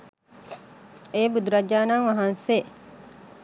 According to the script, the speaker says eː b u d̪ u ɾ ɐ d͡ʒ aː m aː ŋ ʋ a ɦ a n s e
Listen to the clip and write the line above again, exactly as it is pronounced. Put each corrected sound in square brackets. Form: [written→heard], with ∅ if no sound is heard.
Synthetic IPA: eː b u d̪ u ɾ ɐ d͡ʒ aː [m→n] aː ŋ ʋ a ɦ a n s e